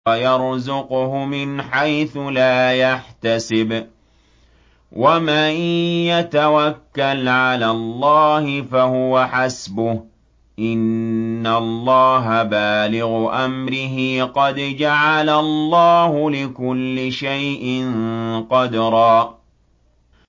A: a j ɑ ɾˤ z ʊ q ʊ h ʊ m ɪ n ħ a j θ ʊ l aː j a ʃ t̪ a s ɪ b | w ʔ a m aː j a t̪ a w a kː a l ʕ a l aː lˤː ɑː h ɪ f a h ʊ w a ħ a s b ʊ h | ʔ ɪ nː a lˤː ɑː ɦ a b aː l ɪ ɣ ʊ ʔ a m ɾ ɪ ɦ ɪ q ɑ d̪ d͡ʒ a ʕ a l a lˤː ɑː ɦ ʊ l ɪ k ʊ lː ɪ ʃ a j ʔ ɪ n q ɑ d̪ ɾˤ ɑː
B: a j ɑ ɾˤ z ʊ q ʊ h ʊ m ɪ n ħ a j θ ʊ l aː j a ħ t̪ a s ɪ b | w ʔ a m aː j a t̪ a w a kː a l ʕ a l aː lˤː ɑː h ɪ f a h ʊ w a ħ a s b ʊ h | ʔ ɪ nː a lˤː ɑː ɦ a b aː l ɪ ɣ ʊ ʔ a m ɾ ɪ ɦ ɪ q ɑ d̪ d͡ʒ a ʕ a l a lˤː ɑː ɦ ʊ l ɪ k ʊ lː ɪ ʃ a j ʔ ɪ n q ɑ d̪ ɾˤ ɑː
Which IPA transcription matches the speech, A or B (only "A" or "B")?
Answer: B